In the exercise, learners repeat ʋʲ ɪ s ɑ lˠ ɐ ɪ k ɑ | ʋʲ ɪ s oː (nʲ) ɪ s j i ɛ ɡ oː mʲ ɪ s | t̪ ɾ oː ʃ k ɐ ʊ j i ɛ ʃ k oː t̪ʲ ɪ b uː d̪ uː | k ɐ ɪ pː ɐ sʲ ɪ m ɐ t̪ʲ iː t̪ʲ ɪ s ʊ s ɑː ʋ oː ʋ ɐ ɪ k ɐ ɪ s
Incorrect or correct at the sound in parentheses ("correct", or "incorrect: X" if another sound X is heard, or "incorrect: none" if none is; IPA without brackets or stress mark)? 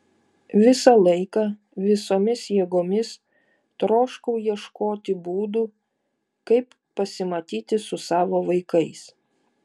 incorrect: mʲ